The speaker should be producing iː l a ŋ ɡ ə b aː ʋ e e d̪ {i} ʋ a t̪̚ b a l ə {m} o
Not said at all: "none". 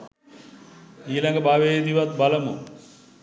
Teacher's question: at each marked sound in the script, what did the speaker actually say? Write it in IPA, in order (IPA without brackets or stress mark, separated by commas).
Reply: i, m